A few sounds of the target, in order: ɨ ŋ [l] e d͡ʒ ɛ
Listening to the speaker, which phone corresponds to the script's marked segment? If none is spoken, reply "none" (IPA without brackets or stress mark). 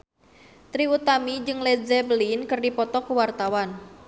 l